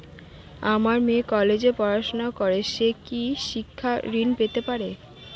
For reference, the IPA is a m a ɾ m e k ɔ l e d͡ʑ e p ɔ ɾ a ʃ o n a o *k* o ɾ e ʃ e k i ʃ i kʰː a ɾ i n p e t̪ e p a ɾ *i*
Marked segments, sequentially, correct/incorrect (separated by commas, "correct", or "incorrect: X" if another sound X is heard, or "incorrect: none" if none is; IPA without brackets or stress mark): correct, incorrect: e